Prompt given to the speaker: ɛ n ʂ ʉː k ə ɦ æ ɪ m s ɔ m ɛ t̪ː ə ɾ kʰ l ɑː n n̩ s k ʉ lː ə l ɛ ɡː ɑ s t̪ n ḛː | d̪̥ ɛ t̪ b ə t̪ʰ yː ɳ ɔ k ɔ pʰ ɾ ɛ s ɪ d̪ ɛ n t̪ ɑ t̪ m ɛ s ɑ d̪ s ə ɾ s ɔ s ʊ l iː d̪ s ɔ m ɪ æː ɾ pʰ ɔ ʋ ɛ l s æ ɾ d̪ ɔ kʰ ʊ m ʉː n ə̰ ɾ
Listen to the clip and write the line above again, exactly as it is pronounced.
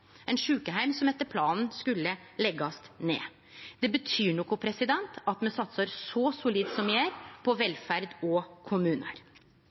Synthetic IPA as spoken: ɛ n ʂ ʉː k ə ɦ æ ɪ m s ɔ m ɛ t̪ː ə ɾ pʰ l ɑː n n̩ s k ʉ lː ə l ɛ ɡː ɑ s t̪ n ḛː | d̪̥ ɛ b ə t̪ʰ yː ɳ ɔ k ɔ pʰ ɾ ɛ s ɪ d̪ ɛ n t̪ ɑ t̪ m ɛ s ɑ t̪ s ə ɾ s ɔ s ʊ l iː d̪ s ɔ m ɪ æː ɾ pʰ ɔ ʋ ɛ l f æ ɾ d̪ ɔ kʰ ʊ m ʉː n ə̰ ɾ

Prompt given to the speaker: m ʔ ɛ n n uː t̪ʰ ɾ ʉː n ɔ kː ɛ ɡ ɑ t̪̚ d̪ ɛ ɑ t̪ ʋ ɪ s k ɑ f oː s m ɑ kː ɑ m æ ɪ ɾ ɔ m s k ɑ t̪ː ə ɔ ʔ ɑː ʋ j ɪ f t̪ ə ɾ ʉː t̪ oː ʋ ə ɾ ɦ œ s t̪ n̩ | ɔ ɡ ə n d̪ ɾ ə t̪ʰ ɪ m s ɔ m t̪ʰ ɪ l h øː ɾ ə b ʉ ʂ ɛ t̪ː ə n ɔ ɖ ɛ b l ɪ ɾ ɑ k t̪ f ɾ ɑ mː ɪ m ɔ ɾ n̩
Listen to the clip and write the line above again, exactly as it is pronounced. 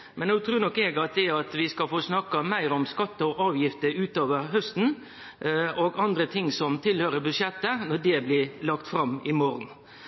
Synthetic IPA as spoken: m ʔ ɛ n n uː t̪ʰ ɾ ʉː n ɔ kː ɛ ɡ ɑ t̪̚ d̪ ɛ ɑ t̪ ʋ ɪ s k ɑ f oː s n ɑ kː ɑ m æ ɪ ɾ ɔ m s k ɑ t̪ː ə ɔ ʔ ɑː ʋ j ɪ f t̪ ə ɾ ʉː t̪ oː ʋ ə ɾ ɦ œ s t̪ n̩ | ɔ ɡ ɑ n d̪ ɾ ə t̪ʰ ɪ ŋ s ɔ m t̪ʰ ɪ l h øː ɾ ə b ʉ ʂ ɛ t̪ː ə n ɔ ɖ ɛ b l ɪ l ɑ k t̪ f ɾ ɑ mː ɪ m ɔ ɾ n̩

